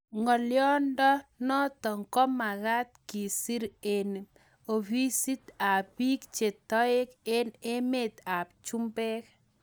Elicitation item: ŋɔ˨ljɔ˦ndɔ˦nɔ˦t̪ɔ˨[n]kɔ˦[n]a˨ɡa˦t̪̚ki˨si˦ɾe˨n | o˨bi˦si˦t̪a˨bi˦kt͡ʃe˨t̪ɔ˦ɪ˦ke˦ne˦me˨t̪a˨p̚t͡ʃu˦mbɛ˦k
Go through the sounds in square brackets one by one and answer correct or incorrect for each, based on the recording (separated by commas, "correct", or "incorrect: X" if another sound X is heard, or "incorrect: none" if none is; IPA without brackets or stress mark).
incorrect: ŋ, incorrect: m